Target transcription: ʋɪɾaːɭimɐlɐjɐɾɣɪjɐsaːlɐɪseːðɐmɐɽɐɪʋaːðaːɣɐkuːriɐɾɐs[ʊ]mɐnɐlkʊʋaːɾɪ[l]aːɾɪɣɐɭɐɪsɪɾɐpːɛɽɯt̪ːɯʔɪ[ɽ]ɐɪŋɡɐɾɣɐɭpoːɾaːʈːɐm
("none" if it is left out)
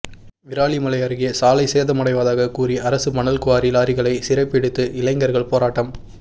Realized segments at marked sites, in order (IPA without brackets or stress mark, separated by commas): ɯ, l, l